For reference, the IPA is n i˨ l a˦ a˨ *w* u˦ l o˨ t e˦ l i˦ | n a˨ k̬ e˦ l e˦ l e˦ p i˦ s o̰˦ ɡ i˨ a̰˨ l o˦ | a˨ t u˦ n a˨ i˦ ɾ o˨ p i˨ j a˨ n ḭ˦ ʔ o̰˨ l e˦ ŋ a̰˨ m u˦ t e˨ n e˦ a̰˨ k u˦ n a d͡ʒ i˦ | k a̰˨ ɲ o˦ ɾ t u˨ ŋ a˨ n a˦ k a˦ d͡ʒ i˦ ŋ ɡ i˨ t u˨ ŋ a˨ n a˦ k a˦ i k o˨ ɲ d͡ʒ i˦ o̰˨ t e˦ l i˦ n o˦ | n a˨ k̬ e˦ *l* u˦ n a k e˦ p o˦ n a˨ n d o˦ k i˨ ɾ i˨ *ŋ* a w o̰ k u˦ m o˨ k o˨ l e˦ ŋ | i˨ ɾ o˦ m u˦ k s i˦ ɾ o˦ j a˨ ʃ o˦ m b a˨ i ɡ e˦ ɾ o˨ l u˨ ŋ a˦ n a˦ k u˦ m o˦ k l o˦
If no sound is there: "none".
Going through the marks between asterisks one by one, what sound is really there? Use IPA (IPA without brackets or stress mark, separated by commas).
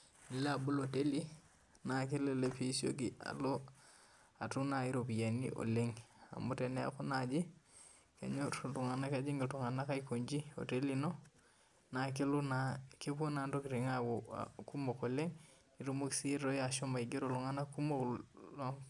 b, l, ŋ